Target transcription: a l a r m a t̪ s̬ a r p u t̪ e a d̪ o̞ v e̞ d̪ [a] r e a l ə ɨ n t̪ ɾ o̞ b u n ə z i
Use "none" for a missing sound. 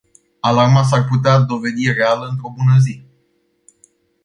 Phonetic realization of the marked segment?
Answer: i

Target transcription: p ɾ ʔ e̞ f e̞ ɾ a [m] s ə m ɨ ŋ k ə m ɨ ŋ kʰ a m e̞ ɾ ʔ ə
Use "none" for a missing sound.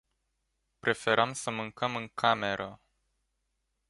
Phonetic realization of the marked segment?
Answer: m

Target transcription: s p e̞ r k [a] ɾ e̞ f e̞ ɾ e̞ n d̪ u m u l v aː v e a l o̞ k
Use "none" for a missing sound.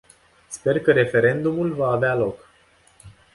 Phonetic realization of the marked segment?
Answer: ə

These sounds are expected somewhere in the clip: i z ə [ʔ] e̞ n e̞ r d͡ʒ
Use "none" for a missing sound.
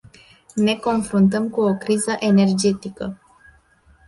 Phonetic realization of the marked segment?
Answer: ʔ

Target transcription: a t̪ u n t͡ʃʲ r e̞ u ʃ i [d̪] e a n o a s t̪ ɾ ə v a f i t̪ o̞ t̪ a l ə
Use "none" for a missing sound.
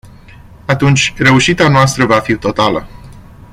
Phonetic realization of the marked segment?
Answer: t̪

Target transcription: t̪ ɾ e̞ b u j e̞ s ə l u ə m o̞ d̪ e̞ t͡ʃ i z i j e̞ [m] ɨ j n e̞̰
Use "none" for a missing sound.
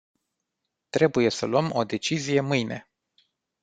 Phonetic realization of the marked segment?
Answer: m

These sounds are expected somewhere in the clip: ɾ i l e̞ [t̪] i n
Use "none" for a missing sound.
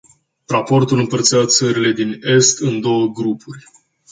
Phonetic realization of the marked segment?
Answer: d̪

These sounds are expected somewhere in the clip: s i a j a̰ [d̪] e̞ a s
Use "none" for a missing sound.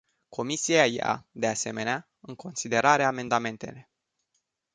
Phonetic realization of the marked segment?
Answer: d̪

